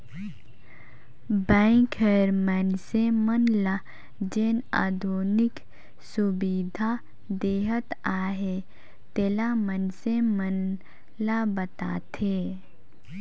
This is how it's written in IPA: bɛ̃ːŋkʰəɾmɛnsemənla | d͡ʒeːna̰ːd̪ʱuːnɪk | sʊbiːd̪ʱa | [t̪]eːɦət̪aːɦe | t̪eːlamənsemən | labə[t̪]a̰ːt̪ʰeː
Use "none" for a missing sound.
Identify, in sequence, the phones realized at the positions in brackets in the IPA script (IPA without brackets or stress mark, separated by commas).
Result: d̪, t̪